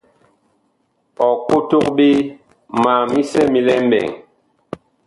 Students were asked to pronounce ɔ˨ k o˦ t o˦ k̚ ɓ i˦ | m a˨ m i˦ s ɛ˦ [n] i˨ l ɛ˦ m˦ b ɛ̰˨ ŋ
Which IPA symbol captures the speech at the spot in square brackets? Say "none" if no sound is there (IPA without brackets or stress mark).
m